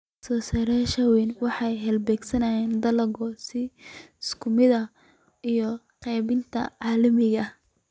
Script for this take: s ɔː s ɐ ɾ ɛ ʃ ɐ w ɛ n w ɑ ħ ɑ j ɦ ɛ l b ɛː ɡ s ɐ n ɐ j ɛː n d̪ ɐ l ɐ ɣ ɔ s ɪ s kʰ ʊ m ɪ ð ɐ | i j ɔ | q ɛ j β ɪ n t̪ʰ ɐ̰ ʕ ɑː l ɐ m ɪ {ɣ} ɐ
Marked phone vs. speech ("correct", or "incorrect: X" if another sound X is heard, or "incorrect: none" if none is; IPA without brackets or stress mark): correct